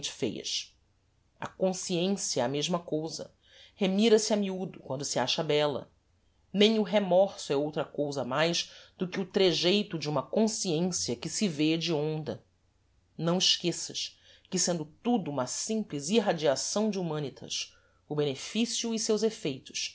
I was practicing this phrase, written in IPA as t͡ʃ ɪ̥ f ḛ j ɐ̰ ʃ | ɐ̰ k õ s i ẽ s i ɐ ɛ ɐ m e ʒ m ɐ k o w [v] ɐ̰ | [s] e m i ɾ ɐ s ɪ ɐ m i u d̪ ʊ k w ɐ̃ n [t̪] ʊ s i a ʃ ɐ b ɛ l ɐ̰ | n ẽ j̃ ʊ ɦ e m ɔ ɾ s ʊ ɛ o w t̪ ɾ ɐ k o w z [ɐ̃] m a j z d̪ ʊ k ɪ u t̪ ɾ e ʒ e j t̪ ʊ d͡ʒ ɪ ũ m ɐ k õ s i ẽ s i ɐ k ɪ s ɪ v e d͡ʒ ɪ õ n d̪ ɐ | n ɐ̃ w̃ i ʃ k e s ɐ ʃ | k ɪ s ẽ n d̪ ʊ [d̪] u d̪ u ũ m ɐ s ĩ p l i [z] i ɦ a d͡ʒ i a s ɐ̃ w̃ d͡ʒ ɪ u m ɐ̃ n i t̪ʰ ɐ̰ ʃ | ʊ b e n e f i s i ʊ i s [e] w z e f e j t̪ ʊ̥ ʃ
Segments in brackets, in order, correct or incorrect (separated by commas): incorrect, incorrect, incorrect, incorrect, incorrect, correct, correct